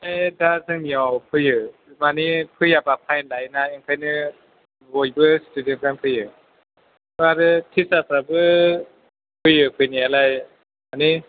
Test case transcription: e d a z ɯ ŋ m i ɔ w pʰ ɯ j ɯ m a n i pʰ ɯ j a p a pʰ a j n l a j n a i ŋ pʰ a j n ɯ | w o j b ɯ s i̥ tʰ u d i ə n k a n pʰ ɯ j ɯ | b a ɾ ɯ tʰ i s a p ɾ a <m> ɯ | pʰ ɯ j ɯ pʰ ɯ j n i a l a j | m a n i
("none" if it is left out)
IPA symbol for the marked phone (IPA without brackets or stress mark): b